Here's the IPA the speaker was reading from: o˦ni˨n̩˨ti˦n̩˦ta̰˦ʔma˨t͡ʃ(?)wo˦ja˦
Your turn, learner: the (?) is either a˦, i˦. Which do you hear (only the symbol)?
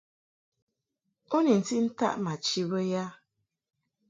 i˦